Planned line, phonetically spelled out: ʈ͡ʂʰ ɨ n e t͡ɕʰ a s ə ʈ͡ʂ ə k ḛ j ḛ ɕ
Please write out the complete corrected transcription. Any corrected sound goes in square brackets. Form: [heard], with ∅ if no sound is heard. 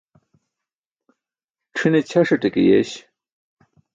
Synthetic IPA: ʈ͡ʂʰ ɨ n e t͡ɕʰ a [ʂ] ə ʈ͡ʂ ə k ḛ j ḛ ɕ